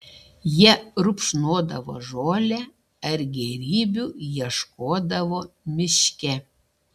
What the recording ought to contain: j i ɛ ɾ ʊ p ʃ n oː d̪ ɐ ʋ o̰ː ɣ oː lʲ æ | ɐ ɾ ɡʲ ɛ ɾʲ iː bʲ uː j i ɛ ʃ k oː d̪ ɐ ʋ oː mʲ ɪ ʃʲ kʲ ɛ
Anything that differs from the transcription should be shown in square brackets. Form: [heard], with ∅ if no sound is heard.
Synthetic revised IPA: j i ɛ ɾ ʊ p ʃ n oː d̪ ɐ ʋ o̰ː [ʒ] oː lʲ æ | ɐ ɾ ɡʲ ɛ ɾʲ iː bʲ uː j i ɛ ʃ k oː d̪ ɐ ʋ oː mʲ ɪ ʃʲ kʲ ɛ

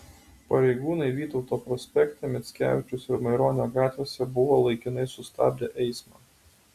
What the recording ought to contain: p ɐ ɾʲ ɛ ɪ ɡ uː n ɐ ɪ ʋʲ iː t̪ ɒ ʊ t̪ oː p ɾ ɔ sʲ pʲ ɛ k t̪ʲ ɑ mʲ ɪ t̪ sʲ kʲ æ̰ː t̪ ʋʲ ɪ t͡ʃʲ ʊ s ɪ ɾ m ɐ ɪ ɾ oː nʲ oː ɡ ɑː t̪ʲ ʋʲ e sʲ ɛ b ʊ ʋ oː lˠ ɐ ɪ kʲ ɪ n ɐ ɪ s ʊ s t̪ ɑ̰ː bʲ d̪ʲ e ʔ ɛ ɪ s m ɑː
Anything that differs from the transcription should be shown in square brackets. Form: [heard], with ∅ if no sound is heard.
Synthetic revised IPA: p ɐ ɾʲ ɛ ɪ ɡ uː n ɐ ɪ ʋʲ iː t̪ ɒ ʊ t̪ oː p ɾ ɔ sʲ pʲ ɛ k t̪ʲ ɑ mʲ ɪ t̪ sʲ kʲ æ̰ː [∅] ʋʲ ɪ t͡ʃʲ ʊ s ɪ ɾ m ɐ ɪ ɾ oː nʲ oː ɡ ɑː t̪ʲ ʋʲ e sʲ ɛ b ʊ ʋ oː lˠ ɐ ɪ kʲ ɪ n ɐ ɪ s ʊ s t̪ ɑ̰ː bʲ d̪ʲ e ʔ ɛ ɪ s m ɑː

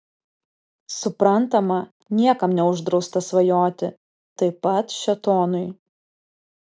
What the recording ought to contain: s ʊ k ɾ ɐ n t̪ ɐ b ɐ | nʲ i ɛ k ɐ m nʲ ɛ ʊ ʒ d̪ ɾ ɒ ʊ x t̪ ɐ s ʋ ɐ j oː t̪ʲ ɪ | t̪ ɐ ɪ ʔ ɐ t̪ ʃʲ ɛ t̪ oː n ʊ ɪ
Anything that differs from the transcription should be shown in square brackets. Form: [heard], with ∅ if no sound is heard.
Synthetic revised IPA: s ʊ [p] ɾ ɐ n t̪ ɐ [m] ɐ | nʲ i ɛ k ɐ m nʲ ɛ ʊ ʒ d̪ ɾ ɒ ʊ [s] t̪ ɐ s ʋ ɐ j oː t̪ʲ ɪ | t̪ ɐ ɪ [p] ɐ t̪ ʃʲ ɛ t̪ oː n ʊ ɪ

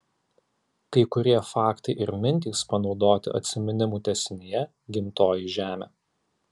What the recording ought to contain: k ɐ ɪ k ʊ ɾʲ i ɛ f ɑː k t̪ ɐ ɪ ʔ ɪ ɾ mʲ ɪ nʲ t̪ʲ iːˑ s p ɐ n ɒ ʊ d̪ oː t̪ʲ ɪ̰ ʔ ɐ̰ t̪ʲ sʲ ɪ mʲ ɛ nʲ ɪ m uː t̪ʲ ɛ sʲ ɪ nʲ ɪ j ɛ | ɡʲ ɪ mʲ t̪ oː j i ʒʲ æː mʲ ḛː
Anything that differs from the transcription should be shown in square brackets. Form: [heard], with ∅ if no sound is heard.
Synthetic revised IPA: k ɐ ɪ k ʊ ɾʲ i ɛ f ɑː k t̪ ɐ ɪ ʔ ɪ ɾ mʲ ɪ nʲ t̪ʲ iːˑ s p ɐ n ɒ ʊ d̪ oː t̪ʲ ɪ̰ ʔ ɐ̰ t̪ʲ sʲ ɪ mʲ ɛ nʲ ɪ m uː t̪ʲ ɛ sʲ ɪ nʲ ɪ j ɛ | ɡʲ ɪ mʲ t̪ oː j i ʒʲ æː mʲ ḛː

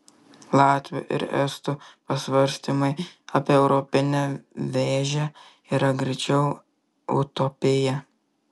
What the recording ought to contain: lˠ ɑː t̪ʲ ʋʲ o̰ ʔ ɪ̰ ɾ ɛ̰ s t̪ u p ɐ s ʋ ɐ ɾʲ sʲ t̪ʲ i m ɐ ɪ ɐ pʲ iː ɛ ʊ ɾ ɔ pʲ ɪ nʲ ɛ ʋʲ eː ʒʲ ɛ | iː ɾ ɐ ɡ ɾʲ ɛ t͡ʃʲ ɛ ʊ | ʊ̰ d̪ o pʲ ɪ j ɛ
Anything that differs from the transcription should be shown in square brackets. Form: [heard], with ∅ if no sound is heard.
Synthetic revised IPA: lˠ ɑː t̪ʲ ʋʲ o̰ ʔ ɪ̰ ɾ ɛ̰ s t̪ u p ɐ s ʋ ɐ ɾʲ sʲ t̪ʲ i m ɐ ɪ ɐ pʲ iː ɛ ʊ ɾ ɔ pʲ ɪ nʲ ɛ ʋʲ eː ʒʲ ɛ | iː ɾ ɐ ɡ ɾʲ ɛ t͡ʃʲ ɛ ʊ | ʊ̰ [t̪] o pʲ ɪ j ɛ

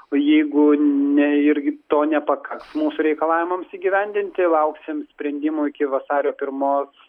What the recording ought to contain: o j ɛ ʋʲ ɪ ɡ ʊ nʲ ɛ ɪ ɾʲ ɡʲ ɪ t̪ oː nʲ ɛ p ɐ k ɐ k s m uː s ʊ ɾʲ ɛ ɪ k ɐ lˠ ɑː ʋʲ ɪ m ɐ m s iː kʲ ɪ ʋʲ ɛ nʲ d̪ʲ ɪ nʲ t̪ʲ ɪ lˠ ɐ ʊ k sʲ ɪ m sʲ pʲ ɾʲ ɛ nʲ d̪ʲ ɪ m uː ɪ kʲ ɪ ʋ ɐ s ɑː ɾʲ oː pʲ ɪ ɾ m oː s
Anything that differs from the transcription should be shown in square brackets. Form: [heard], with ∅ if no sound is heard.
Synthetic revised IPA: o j ɛ [∅] ɪ ɡ ʊ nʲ ɛ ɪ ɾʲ ɡʲ ɪ t̪ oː nʲ ɛ p ɐ k ɐ k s m uː s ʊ ɾʲ ɛ ɪ k ɐ lˠ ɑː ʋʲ ɪ m ɐ m s iː [ɡʲ] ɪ ʋʲ ɛ nʲ d̪ʲ ɪ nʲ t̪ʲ ɪ lˠ ɐ ʊ k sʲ ɪ m sʲ pʲ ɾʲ ɛ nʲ d̪ʲ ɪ m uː ɪ kʲ ɪ ʋ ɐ s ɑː ɾʲ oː pʲ ɪ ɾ m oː s

